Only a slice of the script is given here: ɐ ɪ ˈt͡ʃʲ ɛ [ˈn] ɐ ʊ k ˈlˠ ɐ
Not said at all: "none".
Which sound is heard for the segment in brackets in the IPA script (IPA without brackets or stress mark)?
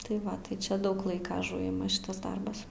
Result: d